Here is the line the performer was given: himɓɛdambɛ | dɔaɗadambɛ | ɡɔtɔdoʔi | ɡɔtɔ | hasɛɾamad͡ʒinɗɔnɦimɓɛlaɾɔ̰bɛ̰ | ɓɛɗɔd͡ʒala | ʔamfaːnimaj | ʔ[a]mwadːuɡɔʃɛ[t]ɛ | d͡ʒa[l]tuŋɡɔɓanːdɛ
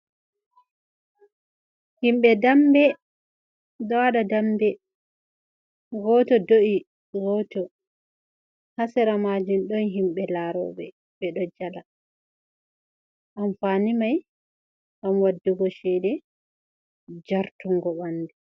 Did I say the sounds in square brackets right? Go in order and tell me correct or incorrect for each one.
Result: correct, incorrect, incorrect

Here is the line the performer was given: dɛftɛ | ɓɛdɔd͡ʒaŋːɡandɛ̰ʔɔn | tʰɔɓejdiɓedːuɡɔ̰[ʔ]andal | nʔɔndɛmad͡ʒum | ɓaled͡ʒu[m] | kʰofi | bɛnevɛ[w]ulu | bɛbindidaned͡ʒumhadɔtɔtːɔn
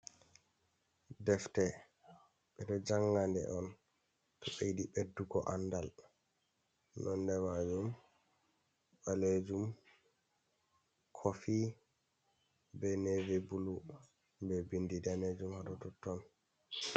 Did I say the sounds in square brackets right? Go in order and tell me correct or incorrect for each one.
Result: correct, correct, incorrect

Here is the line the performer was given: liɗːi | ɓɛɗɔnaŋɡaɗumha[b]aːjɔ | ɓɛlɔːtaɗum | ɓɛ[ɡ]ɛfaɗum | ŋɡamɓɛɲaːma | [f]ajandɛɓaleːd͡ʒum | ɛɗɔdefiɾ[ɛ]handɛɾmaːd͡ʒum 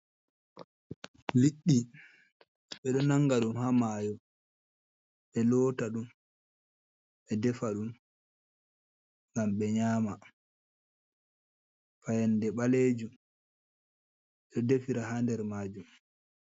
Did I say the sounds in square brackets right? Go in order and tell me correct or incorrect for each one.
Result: incorrect, incorrect, correct, incorrect

